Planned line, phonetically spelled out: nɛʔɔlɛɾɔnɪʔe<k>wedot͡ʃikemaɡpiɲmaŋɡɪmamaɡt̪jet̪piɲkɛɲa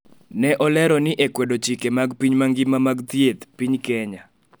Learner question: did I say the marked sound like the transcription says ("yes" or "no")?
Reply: yes